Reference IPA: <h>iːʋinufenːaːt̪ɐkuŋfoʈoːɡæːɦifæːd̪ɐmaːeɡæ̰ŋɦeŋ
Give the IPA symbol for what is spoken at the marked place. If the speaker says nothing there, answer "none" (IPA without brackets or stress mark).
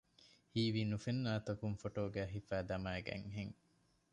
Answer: h